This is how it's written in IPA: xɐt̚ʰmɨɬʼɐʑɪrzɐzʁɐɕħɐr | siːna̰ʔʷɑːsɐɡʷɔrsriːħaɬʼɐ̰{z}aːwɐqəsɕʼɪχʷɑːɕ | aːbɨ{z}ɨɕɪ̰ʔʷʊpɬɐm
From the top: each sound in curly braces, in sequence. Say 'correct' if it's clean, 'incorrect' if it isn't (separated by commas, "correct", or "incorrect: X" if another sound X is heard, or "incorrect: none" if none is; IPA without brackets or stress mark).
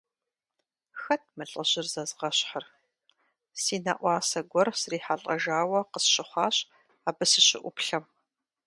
incorrect: ʒ, incorrect: s